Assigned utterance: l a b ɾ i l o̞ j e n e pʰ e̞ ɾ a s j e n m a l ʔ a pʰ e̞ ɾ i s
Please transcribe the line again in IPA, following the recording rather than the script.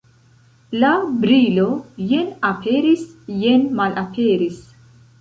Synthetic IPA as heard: l a b ɾ i l o̞ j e n a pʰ e̞ ɾ i s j e n m a l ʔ a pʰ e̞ ɾ i s